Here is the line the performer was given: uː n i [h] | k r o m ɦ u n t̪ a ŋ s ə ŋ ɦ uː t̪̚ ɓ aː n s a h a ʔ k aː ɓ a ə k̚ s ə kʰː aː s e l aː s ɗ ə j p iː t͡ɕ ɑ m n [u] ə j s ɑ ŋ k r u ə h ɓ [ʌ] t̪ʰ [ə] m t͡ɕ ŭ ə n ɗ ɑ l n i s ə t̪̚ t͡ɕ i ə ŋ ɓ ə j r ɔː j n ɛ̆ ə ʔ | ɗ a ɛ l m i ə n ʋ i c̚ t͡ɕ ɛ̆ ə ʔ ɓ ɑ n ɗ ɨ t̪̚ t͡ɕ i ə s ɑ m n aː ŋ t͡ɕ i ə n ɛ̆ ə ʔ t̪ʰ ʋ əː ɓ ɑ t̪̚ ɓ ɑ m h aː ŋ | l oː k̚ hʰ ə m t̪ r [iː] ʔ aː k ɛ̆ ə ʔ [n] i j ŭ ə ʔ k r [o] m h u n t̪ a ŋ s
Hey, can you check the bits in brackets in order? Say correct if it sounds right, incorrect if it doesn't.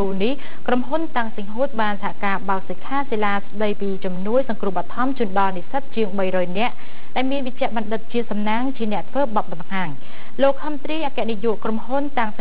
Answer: correct, correct, incorrect: ɑ, incorrect: ɑ, correct, correct, correct

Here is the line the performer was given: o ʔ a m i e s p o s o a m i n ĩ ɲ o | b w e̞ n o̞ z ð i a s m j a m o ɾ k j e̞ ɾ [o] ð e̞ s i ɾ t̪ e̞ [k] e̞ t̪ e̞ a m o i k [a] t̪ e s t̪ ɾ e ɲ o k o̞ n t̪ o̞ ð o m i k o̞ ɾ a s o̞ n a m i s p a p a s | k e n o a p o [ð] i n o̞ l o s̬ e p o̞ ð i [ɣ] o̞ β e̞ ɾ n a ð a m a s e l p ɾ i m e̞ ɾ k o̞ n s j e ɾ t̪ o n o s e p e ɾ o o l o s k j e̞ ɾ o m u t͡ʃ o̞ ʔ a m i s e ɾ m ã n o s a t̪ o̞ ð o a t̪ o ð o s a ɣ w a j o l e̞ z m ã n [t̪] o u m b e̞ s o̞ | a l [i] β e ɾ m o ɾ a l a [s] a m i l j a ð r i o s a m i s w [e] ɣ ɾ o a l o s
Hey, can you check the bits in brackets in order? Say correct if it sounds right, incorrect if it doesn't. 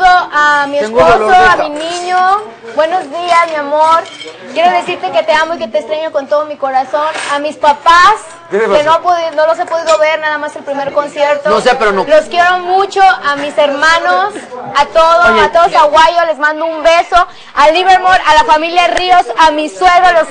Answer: correct, correct, incorrect: e, correct, incorrect: ð, incorrect: d̪, correct, incorrect: f, correct

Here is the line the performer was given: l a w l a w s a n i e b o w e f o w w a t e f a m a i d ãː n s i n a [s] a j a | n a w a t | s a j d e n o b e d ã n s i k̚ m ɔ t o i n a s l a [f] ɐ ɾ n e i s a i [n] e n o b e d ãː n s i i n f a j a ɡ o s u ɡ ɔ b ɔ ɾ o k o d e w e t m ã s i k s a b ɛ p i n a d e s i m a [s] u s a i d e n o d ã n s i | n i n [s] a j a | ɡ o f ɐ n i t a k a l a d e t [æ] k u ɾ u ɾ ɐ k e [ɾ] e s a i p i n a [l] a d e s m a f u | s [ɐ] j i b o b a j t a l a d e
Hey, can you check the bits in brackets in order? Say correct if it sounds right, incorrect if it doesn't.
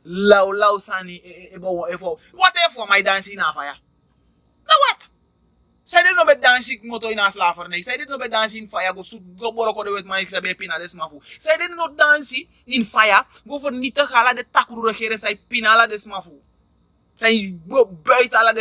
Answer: incorrect: f, correct, incorrect: d, incorrect: f, incorrect: f, incorrect: a, correct, correct, incorrect: a

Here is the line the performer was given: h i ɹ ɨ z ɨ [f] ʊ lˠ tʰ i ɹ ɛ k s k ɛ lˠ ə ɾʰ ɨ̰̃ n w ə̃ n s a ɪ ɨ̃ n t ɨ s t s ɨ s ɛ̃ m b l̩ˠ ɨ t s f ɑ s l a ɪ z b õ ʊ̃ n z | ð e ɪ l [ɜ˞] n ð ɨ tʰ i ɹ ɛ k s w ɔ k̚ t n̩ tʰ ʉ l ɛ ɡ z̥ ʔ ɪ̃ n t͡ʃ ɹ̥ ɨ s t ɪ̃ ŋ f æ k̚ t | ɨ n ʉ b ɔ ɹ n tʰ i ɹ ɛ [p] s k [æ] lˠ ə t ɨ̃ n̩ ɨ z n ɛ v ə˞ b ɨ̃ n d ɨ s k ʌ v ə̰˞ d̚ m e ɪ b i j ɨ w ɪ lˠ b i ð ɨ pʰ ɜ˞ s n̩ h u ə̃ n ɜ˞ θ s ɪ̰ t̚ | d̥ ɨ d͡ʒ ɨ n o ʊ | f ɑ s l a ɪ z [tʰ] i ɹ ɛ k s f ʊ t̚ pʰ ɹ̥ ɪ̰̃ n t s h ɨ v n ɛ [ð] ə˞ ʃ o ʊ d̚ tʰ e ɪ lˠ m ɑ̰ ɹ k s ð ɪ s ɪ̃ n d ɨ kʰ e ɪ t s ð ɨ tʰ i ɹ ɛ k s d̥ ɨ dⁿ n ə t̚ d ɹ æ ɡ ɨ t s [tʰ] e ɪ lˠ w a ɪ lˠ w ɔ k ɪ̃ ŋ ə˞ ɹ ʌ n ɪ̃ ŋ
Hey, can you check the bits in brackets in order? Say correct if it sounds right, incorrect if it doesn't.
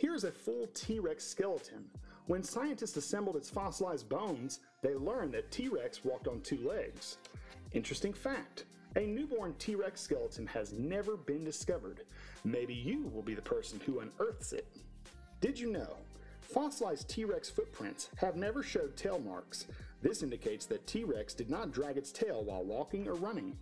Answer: correct, incorrect: ɜ̃˞, incorrect: k, incorrect: ɛ, correct, incorrect: v, correct

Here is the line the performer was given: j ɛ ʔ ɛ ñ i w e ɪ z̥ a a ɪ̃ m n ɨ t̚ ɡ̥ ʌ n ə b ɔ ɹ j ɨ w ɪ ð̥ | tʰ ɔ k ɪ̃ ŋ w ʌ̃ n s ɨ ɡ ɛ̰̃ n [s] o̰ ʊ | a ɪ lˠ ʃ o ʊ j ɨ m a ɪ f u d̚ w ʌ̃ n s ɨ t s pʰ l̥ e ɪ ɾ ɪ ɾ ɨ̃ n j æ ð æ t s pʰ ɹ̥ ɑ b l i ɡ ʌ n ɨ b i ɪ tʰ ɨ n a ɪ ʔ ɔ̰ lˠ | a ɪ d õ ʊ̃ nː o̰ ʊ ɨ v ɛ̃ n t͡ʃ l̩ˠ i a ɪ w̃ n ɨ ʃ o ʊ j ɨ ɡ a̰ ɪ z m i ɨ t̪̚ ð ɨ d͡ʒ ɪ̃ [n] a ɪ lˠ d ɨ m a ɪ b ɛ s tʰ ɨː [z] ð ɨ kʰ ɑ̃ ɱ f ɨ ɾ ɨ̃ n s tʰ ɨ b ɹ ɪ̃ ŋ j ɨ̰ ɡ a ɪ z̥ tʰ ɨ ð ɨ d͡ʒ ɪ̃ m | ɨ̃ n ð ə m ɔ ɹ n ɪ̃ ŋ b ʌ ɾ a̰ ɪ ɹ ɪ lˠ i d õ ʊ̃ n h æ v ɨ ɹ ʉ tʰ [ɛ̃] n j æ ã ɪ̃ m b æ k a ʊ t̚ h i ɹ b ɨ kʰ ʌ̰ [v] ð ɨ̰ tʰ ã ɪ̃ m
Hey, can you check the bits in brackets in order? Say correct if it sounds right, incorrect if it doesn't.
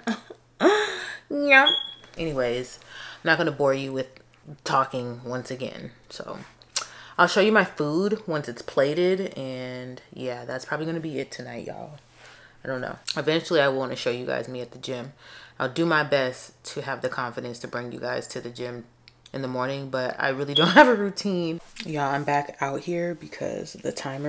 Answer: correct, incorrect: m, incorrect: v, incorrect: ĩ, incorrect: z

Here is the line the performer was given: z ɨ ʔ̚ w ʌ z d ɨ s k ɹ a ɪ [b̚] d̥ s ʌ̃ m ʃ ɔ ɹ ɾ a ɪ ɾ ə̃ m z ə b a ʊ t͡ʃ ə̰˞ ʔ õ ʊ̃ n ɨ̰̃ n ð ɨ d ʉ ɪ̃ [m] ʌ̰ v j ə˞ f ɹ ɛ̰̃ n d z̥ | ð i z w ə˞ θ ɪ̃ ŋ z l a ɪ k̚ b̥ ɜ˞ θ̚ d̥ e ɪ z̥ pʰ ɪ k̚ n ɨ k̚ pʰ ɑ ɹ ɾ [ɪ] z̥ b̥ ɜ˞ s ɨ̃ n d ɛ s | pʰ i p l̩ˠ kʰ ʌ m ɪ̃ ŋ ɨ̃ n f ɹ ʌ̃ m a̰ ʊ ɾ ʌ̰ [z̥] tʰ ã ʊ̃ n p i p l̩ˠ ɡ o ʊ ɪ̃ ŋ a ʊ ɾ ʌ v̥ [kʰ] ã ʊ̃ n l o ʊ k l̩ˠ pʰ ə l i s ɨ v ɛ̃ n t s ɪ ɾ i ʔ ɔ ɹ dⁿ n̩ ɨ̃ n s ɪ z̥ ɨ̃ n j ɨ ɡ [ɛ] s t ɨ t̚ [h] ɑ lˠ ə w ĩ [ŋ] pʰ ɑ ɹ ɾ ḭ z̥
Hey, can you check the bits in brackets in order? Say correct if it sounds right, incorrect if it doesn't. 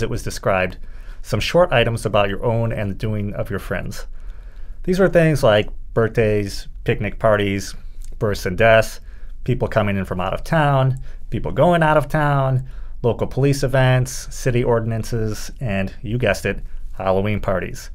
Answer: correct, incorrect: ŋ, incorrect: i, incorrect: v̥, incorrect: tʰ, correct, correct, incorrect: n

